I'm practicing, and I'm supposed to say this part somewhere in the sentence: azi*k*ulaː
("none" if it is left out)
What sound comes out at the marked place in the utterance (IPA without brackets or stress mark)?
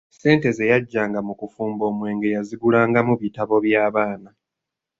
ɡ